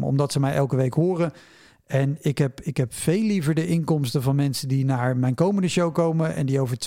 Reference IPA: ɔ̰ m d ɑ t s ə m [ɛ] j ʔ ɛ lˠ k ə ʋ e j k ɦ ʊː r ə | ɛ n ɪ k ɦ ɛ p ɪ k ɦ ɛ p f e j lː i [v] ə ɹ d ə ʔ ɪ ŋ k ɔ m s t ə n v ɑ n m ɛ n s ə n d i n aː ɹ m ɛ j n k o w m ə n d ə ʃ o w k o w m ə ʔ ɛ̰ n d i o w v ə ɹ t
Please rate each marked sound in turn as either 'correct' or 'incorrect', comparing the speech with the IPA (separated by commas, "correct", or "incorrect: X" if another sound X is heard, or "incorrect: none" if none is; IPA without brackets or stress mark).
correct, correct